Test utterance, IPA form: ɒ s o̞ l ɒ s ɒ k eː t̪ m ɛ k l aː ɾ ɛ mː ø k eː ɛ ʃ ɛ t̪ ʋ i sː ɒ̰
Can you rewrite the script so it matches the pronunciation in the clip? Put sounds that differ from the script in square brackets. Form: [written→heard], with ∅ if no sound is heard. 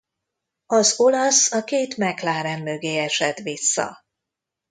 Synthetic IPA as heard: ɒ [s→z] o̞ l ɒ s ɒ k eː t̪ m ɛ k l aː ɾ ɛ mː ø [k→ɡ] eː ɛ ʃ ɛ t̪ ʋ i sː ɒ̰